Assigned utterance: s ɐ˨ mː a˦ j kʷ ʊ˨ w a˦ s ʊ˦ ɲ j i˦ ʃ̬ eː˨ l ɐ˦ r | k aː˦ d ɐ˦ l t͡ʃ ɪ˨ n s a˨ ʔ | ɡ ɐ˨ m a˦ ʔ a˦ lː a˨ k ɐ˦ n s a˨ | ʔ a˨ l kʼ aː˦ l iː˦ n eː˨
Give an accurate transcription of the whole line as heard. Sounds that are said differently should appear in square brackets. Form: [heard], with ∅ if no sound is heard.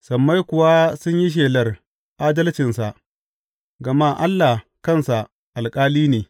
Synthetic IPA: s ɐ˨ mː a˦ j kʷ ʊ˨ w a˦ s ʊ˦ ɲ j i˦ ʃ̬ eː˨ l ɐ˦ r | [ʔ] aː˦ d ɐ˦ l t͡ʃ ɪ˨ n s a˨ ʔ | ɡ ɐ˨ m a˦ ʔ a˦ lː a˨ k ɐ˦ n s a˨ | ʔ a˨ l kʼ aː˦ l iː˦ n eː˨